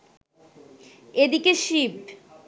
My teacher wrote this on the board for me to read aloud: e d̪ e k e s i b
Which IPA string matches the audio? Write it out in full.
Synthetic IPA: e d̪ i k e ʃ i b